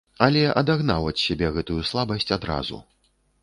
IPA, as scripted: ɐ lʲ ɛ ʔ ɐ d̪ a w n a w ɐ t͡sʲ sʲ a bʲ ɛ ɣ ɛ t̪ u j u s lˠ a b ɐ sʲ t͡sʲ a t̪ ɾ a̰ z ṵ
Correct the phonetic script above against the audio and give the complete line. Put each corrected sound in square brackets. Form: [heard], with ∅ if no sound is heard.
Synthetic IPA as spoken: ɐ lʲ ɛ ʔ ɐ d̪ a [ɣ] n a w ɐ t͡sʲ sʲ a bʲ ɛ ɣ ɛ t̪ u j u s lˠ a b ɐ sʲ t͡sʲ a [d̪] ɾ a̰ z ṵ